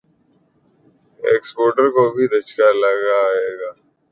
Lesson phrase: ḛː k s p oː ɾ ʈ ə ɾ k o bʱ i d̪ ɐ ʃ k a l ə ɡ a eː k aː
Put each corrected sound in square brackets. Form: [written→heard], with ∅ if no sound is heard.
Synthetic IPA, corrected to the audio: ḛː k s p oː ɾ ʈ ə ɾ k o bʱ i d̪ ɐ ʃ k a l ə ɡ a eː [k→ɡ] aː

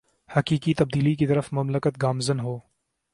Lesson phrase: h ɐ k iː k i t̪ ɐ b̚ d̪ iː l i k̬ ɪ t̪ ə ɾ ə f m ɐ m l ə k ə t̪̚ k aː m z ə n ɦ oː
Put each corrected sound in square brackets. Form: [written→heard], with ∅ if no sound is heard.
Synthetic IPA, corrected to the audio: h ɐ k iː k i t̪ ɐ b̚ d̪ iː l i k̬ [ɪ→i] t̪ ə ɾ ə f m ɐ m l ə k ə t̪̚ [k→ɡ] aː m z ə n ɦ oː

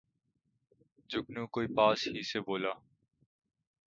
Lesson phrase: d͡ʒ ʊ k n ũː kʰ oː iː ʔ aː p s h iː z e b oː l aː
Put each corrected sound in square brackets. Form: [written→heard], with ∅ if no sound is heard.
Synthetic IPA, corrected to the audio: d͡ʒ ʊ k n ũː [kʰ→k] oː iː [ʔ→p] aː [p→∅] s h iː [z→s] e b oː l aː

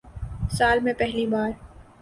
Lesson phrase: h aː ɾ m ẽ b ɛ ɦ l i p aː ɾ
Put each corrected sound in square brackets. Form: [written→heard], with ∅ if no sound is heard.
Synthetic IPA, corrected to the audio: [h→s] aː [ɾ→l] m ẽ [b→p] ɛ ɦ l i [p→b] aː ɾ

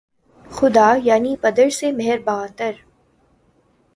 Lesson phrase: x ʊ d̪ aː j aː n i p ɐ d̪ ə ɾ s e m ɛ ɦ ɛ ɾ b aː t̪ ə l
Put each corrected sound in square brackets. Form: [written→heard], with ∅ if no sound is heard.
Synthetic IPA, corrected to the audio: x ʊ d̪ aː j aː n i p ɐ d̪ ə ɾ s e m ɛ ɦ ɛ ɾ b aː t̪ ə [l→ɾ]

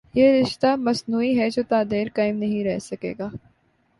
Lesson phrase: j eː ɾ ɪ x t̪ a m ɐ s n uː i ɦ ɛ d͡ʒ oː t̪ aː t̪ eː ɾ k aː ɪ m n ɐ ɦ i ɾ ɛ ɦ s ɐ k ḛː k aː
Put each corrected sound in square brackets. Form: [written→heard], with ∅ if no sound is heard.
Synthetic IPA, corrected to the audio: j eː ɾ ɪ [x→ʃ] t̪ a m ɐ s n uː i ɦ ɛ d͡ʒ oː t̪ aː [t̪→d̪] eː ɾ k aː ɪ m n ɐ ɦ [i→ĩ] ɾ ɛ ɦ s ɐ k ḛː [k→ɡ] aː

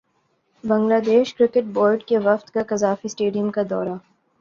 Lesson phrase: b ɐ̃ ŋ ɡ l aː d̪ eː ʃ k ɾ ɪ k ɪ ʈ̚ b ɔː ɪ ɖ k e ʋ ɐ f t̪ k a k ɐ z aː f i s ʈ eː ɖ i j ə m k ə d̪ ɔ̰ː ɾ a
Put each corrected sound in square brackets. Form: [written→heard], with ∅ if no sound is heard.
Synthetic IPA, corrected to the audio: b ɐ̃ ŋ ɡ l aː d̪ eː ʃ k ɾ ɪ k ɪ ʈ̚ b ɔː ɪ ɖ k e ʋ ɐ f t̪ k a k ɐ z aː f i s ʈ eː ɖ i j ə m k [ə→a] d̪ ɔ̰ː ɾ a

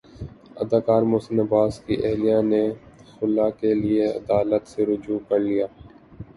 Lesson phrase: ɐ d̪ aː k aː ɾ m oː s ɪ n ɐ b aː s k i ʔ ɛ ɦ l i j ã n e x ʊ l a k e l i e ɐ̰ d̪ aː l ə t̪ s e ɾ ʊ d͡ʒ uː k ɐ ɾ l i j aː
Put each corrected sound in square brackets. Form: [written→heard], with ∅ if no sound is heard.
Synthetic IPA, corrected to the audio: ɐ d̪ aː k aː ɾ m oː s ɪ n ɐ b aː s k i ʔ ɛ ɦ l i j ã n e x ʊ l a k e l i e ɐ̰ d̪ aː l ə t̪ s e ɾ ʊ d͡ʒ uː k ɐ ɾ l i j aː

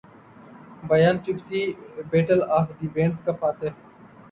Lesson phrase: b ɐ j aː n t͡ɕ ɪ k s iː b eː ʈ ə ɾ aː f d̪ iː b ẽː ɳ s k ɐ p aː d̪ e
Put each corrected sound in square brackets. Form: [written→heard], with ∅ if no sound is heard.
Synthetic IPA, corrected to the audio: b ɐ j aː n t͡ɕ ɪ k s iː b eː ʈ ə [ɾ→l] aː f d̪ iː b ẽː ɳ s k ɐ p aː [d̪→t̪] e

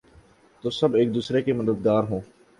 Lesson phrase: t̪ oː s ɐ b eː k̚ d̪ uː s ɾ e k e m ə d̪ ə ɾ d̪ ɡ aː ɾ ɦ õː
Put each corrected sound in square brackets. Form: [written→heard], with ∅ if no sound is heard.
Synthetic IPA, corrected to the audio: t̪ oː s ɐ b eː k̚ d̪ uː s ɾ e k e m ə d̪ ə [ɾ→∅] d̪ ɡ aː ɾ ɦ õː

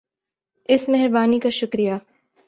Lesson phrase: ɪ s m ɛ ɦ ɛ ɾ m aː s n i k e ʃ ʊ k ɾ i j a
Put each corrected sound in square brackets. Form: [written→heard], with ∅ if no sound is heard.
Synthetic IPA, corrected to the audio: ɪ s m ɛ ɦ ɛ ɾ [m→b] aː [s→∅] n i k [e→a] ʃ ʊ k ɾ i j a

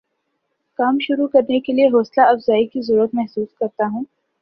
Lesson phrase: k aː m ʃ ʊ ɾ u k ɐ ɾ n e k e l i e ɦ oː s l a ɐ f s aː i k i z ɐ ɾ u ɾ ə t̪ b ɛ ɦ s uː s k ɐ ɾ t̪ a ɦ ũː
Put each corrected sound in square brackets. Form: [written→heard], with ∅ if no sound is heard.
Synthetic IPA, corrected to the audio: k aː m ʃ ʊ ɾ u k ɐ ɾ n e k e l i e ɦ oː s l a ɐ f [s→z] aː i k i z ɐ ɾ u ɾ ə t̪ [b→m] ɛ ɦ s uː s k ɐ ɾ t̪ a ɦ ũː

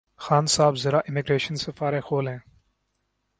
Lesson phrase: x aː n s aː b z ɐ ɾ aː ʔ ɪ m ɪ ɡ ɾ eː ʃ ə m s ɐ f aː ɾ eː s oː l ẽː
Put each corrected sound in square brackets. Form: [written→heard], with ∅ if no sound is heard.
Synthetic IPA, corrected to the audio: x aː n s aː b z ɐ ɾ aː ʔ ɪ m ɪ ɡ ɾ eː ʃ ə [m→n] s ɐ f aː ɾ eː [s→x] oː l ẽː

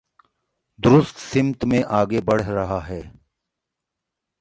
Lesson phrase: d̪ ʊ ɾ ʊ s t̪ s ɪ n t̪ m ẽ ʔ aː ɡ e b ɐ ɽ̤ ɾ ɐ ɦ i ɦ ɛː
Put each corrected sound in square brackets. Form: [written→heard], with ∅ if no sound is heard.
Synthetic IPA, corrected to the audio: d̪ ʊ ɾ ʊ s t̪ s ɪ [n→m] t̪ m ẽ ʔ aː ɡ e b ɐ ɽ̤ ɾ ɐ ɦ [i→a] ɦ ɛː

